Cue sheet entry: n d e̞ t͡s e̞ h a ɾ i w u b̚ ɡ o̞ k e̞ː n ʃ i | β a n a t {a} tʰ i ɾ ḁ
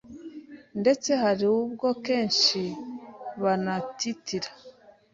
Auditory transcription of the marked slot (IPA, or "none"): i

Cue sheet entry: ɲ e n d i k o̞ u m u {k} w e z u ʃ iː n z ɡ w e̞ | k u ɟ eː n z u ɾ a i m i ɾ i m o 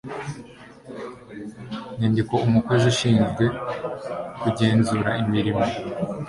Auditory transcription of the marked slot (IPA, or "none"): k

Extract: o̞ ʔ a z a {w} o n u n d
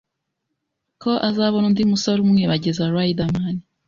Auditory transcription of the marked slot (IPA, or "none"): β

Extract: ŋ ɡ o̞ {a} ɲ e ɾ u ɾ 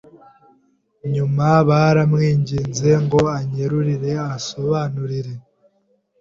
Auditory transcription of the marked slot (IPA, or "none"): a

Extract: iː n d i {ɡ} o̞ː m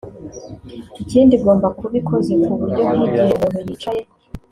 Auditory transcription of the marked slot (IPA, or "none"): ɡ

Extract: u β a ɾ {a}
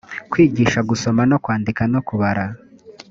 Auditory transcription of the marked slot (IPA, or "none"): a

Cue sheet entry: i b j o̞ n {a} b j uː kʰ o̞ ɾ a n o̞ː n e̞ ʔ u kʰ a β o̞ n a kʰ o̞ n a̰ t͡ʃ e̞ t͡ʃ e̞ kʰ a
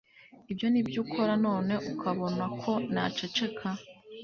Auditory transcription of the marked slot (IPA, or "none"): i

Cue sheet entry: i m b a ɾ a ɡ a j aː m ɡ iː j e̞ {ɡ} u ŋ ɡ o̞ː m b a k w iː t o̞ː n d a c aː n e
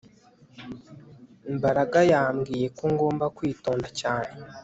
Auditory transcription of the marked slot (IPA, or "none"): k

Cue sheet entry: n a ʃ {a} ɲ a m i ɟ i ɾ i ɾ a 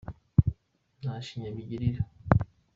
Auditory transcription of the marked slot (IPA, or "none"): i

